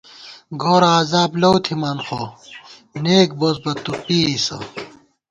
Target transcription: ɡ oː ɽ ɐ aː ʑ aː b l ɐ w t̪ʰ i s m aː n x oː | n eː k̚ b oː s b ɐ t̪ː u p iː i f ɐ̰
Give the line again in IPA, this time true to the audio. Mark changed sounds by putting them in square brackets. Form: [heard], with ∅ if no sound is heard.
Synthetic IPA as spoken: ɡ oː [ɾ] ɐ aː [z] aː b l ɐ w t̪ʰ i [∅] m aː n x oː | n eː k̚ b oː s b ɐ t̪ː u p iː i [s] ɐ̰